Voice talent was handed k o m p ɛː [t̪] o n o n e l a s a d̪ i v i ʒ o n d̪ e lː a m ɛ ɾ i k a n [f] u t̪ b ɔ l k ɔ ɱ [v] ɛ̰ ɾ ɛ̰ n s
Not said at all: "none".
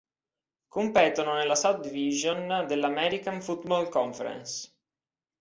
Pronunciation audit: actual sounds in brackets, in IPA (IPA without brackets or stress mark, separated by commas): t̪, f, f